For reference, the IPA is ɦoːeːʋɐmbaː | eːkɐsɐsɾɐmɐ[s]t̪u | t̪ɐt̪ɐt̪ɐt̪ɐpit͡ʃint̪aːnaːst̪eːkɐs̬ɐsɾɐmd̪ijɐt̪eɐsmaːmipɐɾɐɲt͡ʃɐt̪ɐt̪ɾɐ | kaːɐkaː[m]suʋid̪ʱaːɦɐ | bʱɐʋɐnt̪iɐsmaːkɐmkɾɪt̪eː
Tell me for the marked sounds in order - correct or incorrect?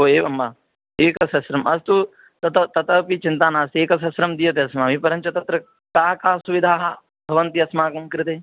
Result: correct, incorrect: none

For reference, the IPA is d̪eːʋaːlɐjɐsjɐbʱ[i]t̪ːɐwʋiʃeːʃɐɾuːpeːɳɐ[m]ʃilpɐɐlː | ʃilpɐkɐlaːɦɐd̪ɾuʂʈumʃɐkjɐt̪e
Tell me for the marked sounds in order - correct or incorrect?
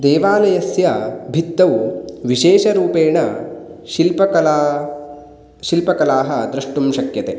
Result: correct, incorrect: none

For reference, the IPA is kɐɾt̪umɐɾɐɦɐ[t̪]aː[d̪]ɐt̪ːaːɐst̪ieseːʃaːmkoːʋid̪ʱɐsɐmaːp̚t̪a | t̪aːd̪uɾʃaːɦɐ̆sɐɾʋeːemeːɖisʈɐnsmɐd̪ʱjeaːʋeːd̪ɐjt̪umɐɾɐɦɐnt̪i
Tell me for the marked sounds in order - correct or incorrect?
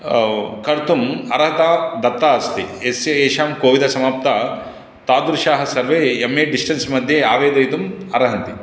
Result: correct, correct

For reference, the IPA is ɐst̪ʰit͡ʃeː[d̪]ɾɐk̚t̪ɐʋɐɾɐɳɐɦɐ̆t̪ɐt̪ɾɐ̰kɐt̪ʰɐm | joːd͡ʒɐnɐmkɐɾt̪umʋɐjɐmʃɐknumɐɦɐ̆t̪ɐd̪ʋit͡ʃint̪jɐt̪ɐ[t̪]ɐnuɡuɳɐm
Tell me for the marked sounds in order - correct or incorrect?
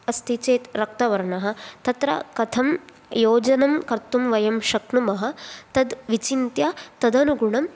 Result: incorrect: t̪, incorrect: d̪

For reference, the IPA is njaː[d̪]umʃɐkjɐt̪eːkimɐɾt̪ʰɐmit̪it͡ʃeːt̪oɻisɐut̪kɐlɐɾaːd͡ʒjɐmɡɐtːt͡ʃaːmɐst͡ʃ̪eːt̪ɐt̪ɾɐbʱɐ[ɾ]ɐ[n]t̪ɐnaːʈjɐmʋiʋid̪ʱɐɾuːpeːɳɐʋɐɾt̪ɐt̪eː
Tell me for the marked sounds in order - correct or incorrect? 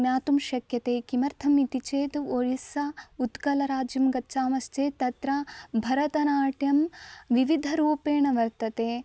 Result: incorrect: t̪, correct, incorrect: none

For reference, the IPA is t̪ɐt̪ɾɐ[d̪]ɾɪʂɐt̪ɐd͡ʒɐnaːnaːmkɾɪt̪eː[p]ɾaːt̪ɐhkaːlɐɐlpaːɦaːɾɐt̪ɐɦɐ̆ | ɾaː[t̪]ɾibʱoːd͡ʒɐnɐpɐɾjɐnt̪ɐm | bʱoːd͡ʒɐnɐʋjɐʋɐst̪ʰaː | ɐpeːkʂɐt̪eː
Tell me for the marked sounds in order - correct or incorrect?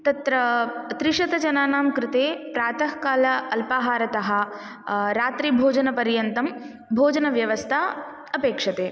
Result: incorrect: t̪, correct, correct

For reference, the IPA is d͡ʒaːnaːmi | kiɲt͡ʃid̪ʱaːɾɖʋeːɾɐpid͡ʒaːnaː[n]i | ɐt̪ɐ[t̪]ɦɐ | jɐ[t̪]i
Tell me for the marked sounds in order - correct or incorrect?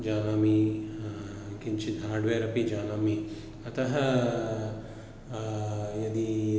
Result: incorrect: m, incorrect: none, incorrect: d̪

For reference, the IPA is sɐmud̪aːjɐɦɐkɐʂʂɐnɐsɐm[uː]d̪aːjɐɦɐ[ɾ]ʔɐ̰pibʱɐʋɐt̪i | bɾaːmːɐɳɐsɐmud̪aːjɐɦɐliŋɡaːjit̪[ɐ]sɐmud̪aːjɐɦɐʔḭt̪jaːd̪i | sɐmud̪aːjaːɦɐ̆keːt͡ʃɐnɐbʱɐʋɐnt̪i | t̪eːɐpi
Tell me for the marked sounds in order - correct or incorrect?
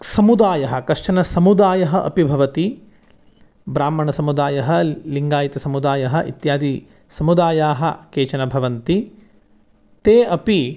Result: incorrect: u, incorrect: none, correct

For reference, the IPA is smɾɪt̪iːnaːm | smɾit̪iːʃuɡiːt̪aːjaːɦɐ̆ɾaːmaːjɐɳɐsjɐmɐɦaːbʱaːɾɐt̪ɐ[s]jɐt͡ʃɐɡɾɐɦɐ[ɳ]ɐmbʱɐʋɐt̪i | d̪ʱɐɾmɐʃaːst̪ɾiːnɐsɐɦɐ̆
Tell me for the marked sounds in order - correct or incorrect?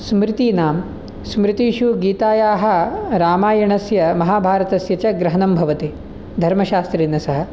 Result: correct, incorrect: n

